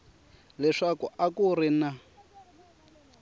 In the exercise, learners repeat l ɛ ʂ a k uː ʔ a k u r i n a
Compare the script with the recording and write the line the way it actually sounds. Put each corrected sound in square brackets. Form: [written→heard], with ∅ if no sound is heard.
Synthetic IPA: l ɛ ʂ a k [uː→u] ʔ a k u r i n a

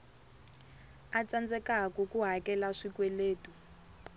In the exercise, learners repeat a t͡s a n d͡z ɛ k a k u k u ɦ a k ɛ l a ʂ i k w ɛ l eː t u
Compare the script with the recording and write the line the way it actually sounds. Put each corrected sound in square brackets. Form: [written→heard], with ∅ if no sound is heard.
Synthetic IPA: a t͡s a n d͡z ɛ k a k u k u ɦ a k ɛ l a ʂ i k w ɛ l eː t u

